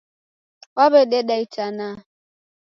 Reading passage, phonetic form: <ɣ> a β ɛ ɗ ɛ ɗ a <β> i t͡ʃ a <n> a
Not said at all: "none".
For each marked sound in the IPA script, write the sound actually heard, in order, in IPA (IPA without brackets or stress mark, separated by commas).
w, none, n